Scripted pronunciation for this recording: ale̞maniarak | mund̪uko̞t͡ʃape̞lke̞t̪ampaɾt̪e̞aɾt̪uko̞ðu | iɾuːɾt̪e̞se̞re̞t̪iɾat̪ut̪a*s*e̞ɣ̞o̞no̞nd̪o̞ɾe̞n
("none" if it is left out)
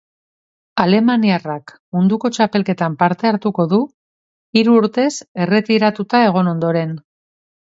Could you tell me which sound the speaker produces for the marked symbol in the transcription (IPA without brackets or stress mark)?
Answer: none